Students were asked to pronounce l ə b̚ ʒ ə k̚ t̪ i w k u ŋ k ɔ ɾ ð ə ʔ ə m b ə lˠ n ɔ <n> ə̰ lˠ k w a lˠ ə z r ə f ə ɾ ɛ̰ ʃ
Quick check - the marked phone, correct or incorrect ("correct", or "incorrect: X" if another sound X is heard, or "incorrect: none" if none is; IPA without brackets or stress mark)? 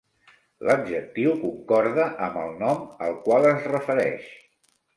incorrect: m